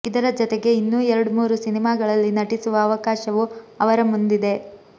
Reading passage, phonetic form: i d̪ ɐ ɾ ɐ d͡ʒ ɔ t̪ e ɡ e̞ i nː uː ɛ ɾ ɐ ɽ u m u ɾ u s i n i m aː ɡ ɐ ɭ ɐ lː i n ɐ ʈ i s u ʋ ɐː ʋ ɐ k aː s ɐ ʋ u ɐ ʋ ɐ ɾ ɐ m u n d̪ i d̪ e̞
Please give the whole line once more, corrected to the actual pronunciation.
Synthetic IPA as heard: i d̪ ɐ ɾ ɐ d͡ʒ ɔ t̪ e ɡ e̞ i nː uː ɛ ɾ ɐ ɽ u m uː ɾ u s i n i m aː ɡ ɐ ɭ ɐ lː i n ɐ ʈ i s u ʋ ɐː ʋ ɐ k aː ʃ ɐ ʋ u ɐ ʋ ɐ ɾ ɐ m u n d̪ i d̪ e̞